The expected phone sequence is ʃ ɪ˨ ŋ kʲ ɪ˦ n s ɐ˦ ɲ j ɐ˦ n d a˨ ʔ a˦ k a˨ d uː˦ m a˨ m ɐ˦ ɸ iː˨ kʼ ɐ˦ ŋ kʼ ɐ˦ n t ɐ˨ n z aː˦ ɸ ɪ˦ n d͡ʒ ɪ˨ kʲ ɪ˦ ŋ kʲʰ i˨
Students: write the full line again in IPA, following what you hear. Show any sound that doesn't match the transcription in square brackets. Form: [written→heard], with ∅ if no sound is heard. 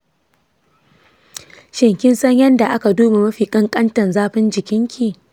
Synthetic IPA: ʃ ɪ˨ ŋ kʲ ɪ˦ n s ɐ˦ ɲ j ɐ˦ n d a˨ ʔ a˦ k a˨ d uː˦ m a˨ m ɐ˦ ɸ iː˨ kʼ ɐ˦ ŋ kʼ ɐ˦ n t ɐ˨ n z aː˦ ɸ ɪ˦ n d͡ʒ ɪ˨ kʲ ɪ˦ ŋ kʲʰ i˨